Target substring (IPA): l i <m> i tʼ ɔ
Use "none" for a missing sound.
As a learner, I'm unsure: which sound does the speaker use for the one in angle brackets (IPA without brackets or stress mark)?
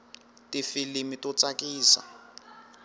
m